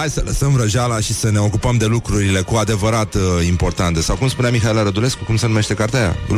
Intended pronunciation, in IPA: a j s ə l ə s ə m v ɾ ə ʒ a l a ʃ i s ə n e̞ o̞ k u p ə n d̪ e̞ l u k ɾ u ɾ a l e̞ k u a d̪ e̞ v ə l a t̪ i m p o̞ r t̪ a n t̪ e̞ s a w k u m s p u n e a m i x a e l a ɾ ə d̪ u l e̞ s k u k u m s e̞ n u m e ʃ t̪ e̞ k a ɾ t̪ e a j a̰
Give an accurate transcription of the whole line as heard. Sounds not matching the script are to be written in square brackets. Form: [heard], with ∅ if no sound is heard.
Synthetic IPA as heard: a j s ə l ə s ə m v ɾ ə ʒ a l a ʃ i s ə n e̞ o̞ k u p ə [m] d̪ e̞ l u k ɾ u ɾ [i] l e̞ k u a d̪ e̞ v ə [ɾ] a t̪ i m p o̞ r t̪ a n t̪ e̞ s a w k u m s p u n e a m i x a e l a ɾ ə d̪ u l e̞ s k u k u m s e̞ n u m e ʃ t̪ e̞ k a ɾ t̪ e a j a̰